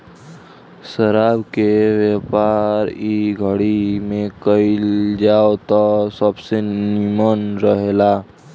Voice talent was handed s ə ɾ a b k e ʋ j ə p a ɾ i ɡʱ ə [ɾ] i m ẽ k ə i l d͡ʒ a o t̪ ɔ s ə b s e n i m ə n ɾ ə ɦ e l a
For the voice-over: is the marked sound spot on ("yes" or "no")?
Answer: no